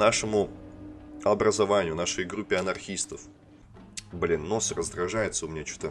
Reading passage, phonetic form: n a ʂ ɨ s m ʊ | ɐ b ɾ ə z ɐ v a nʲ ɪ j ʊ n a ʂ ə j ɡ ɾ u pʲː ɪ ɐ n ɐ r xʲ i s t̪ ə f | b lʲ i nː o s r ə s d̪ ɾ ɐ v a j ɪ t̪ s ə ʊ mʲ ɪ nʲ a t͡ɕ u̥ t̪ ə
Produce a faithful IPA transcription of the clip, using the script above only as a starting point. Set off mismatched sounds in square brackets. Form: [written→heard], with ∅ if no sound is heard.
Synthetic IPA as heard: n a ʂ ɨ [s→∅] m ʊ | ɐ b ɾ ə z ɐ v a nʲ ɪ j ʊ n a ʂ ə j ɡ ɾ u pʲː ɪ ɐ n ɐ r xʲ i s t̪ ə f | b lʲ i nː o s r ə [s→z] d̪ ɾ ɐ [v→ʐ] a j ɪ t̪ s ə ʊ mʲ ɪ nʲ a t͡ɕ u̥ t̪ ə